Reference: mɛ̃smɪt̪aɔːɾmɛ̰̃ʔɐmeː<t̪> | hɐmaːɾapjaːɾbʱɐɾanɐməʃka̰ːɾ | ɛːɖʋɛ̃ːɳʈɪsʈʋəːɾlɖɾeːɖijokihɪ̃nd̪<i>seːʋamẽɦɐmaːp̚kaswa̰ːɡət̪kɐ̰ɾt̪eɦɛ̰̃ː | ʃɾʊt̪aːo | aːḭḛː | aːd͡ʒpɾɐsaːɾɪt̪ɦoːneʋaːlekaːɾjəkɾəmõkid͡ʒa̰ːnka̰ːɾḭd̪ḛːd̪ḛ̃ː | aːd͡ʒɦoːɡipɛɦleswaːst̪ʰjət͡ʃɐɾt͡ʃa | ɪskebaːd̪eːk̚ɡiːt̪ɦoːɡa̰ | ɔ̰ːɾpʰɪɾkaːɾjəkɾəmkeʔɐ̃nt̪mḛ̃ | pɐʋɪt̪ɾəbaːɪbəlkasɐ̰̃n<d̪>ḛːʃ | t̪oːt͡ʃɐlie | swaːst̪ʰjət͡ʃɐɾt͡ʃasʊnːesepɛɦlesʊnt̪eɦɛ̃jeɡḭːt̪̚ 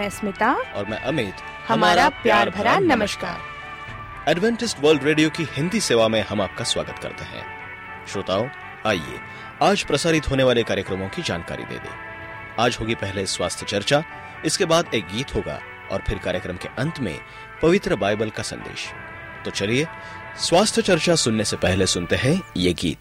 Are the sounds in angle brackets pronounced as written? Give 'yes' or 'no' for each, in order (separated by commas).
yes, yes, yes